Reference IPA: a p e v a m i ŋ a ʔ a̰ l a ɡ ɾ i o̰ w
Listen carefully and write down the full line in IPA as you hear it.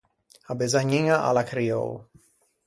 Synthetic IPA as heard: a b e z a ɲ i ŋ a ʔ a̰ l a k ɾ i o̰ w